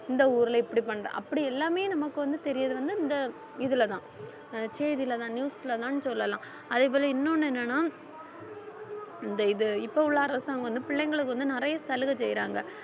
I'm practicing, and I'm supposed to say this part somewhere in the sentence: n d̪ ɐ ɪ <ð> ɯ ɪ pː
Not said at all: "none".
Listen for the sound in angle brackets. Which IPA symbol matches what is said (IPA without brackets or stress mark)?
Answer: ð